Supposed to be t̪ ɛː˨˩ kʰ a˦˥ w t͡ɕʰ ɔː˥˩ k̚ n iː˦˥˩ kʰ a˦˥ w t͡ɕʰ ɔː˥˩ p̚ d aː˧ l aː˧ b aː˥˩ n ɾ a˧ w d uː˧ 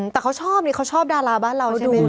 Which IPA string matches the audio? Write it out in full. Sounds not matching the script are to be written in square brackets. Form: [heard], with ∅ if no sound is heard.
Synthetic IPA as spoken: t̪ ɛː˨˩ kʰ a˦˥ w t͡ɕʰ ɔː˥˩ [p̚] n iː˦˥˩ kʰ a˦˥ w t͡ɕʰ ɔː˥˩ p̚ d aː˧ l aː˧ b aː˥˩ n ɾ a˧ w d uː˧